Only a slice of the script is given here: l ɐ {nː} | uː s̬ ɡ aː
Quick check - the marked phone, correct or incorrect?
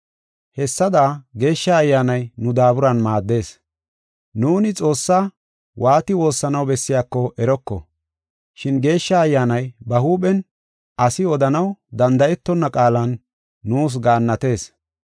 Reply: correct